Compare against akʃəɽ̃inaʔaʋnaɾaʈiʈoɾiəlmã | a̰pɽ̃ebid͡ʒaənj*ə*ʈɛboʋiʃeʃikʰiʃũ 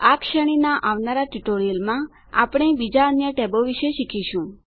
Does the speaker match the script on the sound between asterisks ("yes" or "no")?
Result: yes